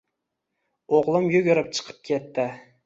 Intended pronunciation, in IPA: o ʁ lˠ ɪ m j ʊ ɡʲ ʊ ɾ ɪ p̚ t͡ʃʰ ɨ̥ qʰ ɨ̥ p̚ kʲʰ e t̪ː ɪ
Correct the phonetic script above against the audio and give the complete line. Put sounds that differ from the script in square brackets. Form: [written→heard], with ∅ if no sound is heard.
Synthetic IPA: o ʁ lˠ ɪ m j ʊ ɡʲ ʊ ɾ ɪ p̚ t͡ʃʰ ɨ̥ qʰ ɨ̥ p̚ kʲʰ e t̪ː ɪ